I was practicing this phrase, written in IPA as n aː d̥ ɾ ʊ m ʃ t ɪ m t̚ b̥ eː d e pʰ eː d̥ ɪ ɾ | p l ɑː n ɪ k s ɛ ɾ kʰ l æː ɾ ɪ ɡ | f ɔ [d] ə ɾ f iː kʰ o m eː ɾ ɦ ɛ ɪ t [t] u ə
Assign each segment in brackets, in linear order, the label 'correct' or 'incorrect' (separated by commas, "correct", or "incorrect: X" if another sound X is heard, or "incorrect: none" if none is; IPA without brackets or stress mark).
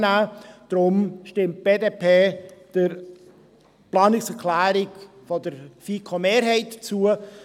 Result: correct, incorrect: t͡s